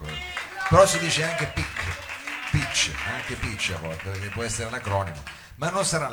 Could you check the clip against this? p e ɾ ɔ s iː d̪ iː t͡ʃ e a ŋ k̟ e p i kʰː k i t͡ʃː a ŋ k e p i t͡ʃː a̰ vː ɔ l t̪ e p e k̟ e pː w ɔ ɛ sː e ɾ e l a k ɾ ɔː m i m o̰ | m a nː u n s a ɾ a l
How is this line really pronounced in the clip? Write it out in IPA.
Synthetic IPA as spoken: p e ɾ ɔ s i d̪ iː t͡ʃ e a ŋ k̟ e p i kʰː p i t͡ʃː a ŋ k e p i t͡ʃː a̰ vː ɔ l t̪ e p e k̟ e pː w ɔ ɛ sː e ɾ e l a k ɾ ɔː n i m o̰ | m a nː o n s a ɾ a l